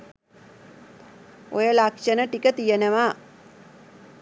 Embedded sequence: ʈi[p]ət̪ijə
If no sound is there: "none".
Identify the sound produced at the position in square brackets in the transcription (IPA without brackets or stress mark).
k